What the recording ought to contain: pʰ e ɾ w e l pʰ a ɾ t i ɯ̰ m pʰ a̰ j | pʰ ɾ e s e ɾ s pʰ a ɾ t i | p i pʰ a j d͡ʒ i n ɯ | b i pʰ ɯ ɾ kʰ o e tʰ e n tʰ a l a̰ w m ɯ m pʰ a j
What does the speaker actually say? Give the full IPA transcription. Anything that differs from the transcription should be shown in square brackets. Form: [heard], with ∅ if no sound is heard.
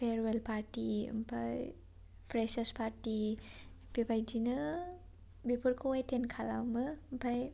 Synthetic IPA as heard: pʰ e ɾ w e l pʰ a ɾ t i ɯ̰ m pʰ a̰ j | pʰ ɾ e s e [∅] s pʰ a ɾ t i | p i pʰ a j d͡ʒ i n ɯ | b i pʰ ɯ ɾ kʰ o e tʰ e n [kʰ] a l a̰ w m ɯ m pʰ a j